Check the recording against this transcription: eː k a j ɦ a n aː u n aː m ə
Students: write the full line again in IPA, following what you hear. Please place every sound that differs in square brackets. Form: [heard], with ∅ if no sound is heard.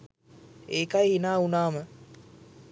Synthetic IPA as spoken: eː k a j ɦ [i] n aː u n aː m ə

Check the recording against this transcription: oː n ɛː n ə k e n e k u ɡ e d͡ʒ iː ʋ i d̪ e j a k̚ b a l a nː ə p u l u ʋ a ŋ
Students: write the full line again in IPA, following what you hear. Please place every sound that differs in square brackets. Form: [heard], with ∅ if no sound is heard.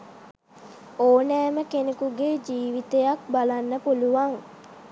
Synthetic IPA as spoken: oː n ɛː [m] ə k e n e k u ɡ e d͡ʒ iː ʋ i [t̪] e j a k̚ b a l a nː ə p u l u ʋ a ŋ

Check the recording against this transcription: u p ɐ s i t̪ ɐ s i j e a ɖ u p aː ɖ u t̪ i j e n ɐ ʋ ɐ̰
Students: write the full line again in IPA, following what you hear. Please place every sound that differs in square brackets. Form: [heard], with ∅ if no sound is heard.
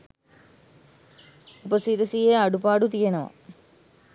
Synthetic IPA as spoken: u p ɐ s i t̪ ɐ s i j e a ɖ u p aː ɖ u t̪ i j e n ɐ ʋ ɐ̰

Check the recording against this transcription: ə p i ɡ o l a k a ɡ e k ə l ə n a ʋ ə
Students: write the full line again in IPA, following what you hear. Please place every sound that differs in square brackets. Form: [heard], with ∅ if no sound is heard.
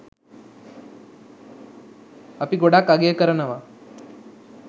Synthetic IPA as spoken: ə p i ɡ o [ɽ] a k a ɡ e k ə [ɾ] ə n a ʋ [a]

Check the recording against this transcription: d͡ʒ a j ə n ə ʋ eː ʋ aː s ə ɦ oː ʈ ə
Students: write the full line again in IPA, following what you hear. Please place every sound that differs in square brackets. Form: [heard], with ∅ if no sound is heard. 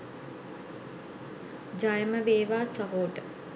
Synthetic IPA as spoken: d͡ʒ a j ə [m] ə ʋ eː ʋ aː s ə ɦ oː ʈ ə

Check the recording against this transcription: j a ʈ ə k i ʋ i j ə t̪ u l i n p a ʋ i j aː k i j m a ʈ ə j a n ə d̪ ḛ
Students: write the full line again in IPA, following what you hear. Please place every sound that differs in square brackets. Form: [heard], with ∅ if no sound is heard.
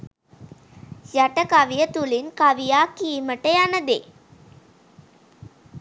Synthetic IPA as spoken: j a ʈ ə k [a] ʋ i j ə t̪ u l i n [k] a ʋ i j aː k i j m [ə] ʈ ə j a n ə d̪ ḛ

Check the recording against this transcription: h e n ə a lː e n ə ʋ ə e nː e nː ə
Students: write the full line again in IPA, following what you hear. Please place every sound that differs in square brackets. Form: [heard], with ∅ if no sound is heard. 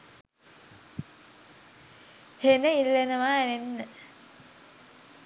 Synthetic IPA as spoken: h e n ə [i] lː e n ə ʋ [a] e [n] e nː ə

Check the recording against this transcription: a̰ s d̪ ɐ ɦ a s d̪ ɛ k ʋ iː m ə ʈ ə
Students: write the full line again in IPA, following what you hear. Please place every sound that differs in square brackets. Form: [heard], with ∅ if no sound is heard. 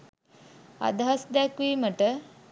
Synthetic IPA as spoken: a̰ [∅] d̪ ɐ ɦ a s d̪ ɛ k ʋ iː m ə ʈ ə

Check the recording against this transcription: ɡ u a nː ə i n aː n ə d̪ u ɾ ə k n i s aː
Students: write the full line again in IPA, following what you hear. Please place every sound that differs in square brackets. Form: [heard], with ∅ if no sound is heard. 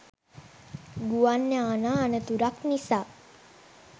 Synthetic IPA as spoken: ɡ u a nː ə [a] n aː n ə [t̪] u ɾ [a] k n i s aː

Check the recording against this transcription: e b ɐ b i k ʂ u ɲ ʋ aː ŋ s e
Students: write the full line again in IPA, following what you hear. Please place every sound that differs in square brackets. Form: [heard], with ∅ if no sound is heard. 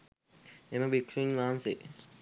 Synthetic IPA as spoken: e [m] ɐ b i k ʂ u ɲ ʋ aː [n] s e

